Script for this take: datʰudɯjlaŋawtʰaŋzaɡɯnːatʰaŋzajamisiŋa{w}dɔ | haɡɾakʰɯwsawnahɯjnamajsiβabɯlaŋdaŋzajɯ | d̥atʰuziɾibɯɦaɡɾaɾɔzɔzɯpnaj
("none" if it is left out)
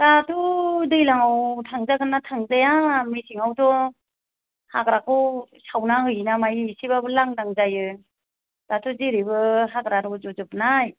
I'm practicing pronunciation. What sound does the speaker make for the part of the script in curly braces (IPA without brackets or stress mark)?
w